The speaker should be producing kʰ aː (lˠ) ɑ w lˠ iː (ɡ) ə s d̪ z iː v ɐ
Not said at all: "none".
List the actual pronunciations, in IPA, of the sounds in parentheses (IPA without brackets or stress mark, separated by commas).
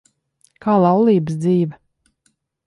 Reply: lˠ, b